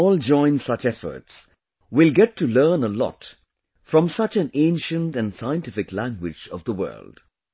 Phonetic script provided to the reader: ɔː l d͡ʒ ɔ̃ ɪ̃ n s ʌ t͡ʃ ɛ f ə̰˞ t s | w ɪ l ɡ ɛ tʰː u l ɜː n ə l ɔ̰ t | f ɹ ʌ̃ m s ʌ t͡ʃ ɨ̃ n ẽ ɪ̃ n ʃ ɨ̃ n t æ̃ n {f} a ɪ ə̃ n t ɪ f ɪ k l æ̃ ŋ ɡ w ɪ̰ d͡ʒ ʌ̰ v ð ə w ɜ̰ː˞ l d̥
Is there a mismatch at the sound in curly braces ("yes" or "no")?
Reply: yes